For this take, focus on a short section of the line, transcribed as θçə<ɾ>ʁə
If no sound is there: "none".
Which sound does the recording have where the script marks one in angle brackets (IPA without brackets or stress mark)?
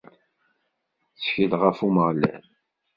l